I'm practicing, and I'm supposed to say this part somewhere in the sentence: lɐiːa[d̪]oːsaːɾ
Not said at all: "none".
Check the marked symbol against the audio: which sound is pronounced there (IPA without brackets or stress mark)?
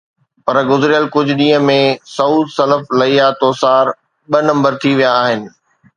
t̪